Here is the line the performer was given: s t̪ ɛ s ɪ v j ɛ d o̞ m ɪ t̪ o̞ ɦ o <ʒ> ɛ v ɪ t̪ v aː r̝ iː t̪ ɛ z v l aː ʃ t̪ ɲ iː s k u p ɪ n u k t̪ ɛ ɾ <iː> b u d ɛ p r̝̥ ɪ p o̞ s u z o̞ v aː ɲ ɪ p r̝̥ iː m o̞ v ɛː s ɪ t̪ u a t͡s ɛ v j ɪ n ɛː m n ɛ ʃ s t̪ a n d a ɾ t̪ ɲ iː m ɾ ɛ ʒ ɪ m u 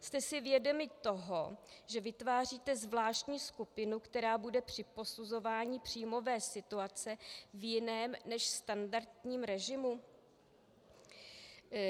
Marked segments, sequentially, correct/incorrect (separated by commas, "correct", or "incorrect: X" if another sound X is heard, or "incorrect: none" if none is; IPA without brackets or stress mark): correct, incorrect: aː